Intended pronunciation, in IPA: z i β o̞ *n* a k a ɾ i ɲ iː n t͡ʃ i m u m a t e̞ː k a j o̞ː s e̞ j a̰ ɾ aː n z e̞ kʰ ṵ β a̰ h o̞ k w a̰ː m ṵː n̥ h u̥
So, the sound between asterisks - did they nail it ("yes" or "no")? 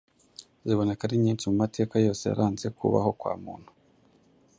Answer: yes